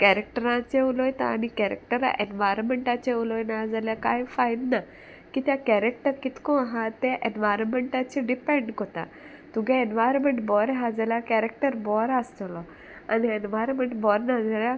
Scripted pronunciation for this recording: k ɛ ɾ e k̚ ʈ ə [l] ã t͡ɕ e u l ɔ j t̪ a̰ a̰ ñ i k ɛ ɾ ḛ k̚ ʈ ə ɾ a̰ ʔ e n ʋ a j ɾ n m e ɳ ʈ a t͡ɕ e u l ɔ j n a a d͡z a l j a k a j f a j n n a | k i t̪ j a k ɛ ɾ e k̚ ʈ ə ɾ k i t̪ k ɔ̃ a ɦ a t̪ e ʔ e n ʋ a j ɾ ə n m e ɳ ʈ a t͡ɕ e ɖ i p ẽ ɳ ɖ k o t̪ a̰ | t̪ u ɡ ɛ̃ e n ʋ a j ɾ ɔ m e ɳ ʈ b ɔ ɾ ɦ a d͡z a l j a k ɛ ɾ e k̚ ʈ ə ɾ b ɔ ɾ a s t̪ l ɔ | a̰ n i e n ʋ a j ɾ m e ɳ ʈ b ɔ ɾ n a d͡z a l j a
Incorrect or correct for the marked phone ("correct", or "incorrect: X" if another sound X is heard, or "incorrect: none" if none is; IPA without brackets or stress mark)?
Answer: incorrect: ɾ